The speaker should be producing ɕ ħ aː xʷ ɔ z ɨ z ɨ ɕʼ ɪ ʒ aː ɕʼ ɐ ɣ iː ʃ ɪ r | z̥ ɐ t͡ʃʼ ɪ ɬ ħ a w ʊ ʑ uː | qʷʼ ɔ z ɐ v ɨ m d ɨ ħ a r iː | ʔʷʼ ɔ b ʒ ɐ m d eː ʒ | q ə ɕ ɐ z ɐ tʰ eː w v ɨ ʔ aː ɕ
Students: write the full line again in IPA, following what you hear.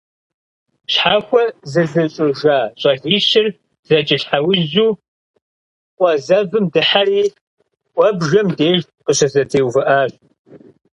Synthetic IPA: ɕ ħ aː xʷ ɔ z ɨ z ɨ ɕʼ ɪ ʒ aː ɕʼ ɐ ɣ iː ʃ ɪ r | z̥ ɐ t͡ʃʼ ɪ ɬ ħ a w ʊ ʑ uː | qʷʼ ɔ z ɐ v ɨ m d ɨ ħ a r iː | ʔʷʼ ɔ b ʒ ɐ m d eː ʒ | q ə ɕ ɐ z ɐ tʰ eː w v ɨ ʔ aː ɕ

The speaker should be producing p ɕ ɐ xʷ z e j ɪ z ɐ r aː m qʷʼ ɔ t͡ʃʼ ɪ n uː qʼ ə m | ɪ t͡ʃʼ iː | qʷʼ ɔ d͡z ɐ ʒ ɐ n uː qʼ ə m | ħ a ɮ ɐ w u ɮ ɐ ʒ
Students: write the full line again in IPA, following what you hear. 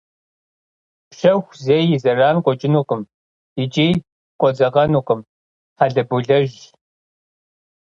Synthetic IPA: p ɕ ɐ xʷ z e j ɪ z ɐ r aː n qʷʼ ɔ t͡ʃʼ ɪ n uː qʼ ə m | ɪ t͡ʃʼ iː | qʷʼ ɔ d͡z ɐ ʁ ɐ n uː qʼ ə m | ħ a ɮ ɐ b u ɮ ɐ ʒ

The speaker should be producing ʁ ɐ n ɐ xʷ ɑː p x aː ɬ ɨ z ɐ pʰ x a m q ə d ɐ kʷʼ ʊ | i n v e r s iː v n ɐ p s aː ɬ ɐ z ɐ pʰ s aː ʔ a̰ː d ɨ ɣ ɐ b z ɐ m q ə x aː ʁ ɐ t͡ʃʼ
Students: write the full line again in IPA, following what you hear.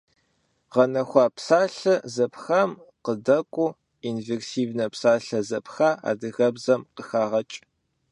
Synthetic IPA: ʁ ɐ n ɐ xʷ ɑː p s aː ɬ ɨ z ɐ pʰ x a m q ə d ɐ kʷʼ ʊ | i n v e r s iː v n ɐ p s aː ɬ ɐ z ɐ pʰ x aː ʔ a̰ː d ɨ ɣ ɐ b z ɐ m q ə x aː ʁ ɐ t͡ʃʼ

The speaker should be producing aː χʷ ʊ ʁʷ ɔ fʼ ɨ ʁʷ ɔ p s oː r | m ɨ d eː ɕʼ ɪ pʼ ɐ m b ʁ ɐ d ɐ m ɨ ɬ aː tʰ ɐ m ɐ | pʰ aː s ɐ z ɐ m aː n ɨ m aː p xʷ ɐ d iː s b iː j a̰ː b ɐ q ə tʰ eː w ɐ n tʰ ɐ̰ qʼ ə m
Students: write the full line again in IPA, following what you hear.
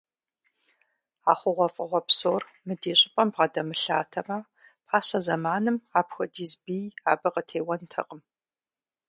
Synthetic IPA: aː χʷ ʊ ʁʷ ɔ fʼ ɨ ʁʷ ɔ p s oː r | m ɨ d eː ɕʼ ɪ pʼ ɐ m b ʁ ɐ d ɐ m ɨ ɬ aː tʰ ɐ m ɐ | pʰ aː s ɐ z ɐ m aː n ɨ m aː p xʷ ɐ d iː z b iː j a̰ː b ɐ q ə tʰ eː w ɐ n tʰ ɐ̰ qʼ ə m

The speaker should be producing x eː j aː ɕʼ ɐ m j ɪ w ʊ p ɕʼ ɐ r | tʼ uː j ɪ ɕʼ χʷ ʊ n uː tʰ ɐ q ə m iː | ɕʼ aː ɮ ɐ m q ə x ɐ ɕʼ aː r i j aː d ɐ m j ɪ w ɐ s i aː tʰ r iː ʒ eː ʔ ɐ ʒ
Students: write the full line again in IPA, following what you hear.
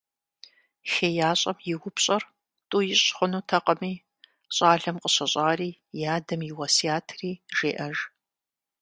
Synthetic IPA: x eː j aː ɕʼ ɐ m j ɪ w ʊ p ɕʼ ɐ r | tʼ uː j ɪ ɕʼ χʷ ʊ n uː tʰ ɐ q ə m iː | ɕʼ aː ɮ ɐ m q ə ɕ ɐ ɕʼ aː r iː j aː d ɐ m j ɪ w ɐ s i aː tʰ r iː ʒ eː ʔ ɐ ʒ

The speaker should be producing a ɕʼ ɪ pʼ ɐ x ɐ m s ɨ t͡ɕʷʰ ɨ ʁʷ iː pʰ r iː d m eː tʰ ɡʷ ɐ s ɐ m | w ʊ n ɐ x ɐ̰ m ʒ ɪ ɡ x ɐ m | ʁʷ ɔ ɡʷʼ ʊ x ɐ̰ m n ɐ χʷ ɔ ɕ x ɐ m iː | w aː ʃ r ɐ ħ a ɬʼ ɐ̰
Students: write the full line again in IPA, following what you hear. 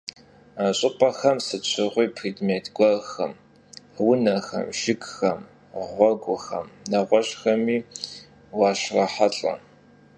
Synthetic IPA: a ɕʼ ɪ pʼ ɐ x ɐ m s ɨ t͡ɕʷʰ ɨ ʁʷ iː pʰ r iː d m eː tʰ ɡʷ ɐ x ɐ m | w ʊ n ɐ x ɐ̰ m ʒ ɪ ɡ x ɐ m | ʁʷ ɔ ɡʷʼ ʊ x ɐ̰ m n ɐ ʁʷ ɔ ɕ x ɐ m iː | w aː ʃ r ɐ ħ a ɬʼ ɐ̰

